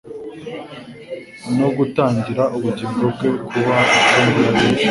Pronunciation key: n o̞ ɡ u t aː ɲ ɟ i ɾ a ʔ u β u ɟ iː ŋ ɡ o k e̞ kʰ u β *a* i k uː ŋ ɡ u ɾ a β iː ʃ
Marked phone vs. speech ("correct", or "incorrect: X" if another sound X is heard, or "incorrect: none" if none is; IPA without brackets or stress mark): correct